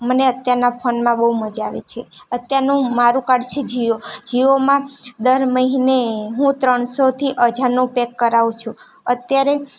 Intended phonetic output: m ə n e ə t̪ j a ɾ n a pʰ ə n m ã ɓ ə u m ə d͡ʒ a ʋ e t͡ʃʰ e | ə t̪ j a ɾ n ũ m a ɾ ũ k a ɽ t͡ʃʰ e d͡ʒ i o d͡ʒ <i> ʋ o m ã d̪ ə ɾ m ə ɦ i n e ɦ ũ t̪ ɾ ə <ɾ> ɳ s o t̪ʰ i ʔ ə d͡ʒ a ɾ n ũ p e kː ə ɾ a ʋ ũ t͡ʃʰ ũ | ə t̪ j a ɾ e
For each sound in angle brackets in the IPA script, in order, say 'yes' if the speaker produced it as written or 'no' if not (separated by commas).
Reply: yes, no